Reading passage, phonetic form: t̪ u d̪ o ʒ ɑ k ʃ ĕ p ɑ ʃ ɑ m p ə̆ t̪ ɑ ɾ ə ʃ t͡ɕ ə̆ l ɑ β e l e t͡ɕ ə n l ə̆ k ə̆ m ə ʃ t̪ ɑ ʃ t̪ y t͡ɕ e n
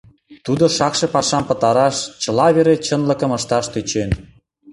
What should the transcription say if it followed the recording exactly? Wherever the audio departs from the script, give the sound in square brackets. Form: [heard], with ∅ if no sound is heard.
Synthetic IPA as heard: t̪ u d̪ o [ʃ] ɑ k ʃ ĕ p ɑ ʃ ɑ m p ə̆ t̪ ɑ ɾ [ɑ] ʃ t͡ɕ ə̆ l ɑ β e [ɾ] e t͡ɕ ə n l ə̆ k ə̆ m ə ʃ t̪ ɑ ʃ t̪ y t͡ɕ e n